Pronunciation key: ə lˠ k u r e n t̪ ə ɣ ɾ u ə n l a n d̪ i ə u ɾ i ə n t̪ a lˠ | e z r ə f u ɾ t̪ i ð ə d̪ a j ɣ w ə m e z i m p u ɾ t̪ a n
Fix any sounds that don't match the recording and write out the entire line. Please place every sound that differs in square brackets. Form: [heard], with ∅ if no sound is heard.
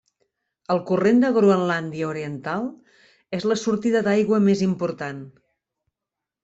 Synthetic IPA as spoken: ə lˠ k u r e n [d̪] ə ɣ ɾ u ə n l a n d̪ i ə u ɾ i ə n t̪ a lˠ | e z [l] ə [s] u ɾ t̪ i ð ə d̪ a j ɣ w ə m e z i m p u ɾ t̪ a n